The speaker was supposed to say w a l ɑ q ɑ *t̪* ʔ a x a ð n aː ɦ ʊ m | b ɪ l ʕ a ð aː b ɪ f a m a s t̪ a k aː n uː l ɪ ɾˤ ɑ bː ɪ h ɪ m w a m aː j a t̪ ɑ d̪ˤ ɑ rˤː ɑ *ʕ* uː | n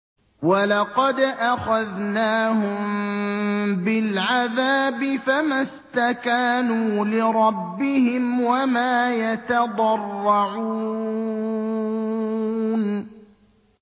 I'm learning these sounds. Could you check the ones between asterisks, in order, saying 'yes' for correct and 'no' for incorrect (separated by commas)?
no, yes